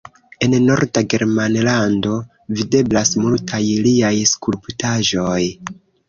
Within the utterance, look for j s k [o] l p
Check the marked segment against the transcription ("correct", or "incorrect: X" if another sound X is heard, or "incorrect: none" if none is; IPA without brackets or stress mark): incorrect: u